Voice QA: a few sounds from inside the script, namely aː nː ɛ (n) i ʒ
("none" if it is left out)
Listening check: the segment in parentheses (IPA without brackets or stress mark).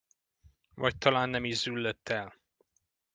m